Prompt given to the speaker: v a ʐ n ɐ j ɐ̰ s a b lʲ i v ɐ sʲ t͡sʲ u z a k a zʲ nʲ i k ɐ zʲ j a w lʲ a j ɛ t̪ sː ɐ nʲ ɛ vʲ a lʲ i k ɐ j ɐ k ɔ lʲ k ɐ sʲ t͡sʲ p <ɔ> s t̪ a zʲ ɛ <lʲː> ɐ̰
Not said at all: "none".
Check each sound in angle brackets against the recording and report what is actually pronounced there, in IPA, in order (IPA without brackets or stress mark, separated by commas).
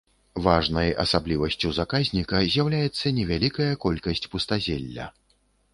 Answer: u, lʲː